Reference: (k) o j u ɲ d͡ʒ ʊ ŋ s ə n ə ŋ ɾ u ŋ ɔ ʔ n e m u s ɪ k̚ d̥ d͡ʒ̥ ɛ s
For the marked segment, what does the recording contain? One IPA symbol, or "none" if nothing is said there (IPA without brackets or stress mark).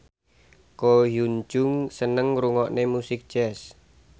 k